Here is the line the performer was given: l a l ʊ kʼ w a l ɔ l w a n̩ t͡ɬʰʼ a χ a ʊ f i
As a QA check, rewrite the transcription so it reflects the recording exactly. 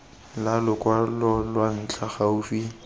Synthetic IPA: l a l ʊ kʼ w a l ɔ l w a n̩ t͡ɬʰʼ a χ a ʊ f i

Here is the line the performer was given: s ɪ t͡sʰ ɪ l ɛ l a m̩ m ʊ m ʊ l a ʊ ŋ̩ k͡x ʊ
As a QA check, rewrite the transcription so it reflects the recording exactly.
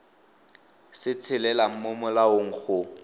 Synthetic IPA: s ɪ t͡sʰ ɪ l ɛ l a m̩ m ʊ m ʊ l a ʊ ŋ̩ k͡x ʊ

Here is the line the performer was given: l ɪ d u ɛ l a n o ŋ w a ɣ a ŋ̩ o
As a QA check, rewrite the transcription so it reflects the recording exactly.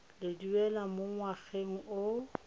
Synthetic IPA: l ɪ d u ɛ l a m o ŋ w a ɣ e ŋ̩ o

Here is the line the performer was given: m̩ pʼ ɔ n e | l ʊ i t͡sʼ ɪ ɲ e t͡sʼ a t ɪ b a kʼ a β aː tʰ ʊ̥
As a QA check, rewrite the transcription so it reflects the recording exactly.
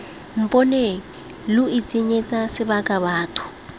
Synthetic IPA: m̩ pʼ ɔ n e | l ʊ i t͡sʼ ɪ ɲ e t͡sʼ a s ɪ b a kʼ a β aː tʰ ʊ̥

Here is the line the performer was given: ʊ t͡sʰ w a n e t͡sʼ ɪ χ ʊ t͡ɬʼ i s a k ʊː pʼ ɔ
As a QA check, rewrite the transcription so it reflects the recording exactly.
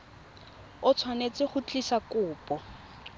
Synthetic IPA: ʊ t͡sʰ w a n e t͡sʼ ɪ χ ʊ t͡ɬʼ i s a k ʊː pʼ ɔ

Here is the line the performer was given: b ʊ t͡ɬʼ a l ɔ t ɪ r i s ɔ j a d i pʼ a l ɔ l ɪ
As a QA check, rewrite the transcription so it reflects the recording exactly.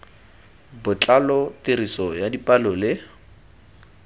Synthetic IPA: b ʊ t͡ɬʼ a l ɔ t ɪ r i s ɔ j a d i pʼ a l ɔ l ɪ

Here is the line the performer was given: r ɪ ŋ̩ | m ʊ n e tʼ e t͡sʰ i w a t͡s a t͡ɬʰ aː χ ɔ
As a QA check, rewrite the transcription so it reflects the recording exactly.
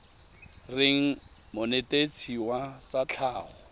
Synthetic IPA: r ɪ ŋ̩ | m ʊ n e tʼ e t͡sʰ i w a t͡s a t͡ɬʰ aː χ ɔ

